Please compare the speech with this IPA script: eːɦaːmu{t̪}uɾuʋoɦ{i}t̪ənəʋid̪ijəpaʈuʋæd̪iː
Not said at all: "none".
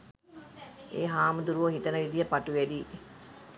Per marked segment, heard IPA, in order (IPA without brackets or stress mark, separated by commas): d̪, i